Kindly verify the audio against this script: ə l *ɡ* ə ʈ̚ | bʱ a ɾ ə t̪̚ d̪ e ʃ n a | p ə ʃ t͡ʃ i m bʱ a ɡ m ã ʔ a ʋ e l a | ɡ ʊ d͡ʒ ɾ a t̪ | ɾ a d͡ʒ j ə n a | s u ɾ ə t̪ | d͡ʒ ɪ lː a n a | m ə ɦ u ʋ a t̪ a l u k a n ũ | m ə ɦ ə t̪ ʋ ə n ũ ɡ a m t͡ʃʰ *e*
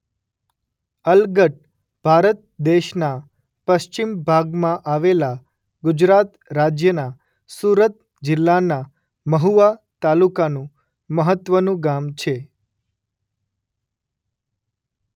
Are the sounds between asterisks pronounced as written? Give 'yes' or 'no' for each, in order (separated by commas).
yes, yes